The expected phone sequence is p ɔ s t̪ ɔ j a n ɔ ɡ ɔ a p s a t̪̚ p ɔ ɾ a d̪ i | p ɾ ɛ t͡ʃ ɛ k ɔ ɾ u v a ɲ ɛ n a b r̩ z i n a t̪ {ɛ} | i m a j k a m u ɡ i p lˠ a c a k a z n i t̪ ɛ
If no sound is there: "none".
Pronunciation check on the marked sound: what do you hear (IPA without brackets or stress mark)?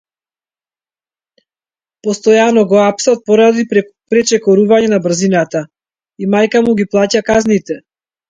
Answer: a